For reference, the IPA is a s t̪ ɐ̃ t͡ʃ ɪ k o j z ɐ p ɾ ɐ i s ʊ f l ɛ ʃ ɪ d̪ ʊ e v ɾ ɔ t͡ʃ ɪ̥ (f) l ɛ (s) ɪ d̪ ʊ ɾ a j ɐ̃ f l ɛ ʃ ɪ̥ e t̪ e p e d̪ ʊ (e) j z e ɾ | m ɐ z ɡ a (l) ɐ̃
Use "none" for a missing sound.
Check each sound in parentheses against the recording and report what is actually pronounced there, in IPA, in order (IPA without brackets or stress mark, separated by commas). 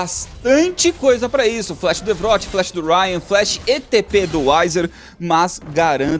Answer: f, ʃ, a, ɾ